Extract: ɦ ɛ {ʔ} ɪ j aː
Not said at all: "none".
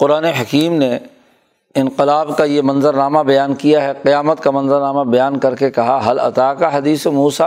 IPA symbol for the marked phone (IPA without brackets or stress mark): q